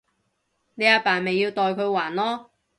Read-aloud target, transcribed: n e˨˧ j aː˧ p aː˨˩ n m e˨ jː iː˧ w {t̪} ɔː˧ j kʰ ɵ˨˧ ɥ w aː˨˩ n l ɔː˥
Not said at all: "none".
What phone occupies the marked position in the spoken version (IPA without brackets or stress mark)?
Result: t̪